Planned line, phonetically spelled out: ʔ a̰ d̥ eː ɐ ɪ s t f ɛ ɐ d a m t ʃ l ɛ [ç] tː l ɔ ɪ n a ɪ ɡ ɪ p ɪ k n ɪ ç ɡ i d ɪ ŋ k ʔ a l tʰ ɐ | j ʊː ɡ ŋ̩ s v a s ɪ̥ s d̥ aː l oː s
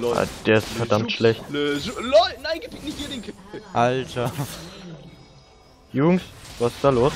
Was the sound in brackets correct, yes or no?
yes